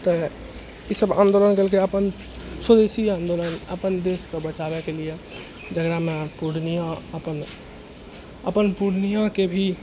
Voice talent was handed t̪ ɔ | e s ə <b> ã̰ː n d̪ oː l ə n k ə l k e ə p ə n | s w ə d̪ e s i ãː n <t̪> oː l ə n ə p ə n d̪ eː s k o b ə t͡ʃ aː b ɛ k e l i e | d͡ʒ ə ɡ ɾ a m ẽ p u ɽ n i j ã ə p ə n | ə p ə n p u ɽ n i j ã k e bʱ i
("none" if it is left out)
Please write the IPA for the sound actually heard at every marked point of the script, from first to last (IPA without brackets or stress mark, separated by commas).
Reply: b, d̪